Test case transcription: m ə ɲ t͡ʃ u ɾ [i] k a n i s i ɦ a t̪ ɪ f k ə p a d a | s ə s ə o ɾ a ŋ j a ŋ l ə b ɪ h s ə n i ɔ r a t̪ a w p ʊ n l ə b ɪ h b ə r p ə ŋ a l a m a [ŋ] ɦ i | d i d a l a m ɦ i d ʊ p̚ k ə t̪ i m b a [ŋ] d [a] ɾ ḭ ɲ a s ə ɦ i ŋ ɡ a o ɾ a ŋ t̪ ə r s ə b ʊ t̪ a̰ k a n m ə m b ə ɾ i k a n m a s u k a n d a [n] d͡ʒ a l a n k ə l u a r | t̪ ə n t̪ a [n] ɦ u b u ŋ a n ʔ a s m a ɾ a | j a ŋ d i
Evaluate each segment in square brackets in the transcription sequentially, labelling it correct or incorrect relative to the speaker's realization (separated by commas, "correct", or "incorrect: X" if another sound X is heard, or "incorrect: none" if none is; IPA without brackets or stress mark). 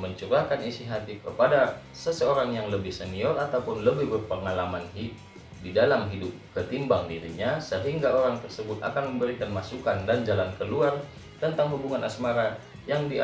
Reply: incorrect: a, incorrect: n, correct, incorrect: i, correct, incorrect: ŋ